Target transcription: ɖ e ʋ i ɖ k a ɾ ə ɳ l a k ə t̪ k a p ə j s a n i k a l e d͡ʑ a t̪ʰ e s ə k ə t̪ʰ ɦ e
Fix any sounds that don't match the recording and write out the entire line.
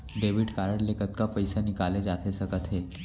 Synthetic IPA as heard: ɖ e ʋ i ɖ k a ɾ ə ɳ l e k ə t̪ k a p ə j s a n i k a l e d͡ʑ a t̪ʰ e s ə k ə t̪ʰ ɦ e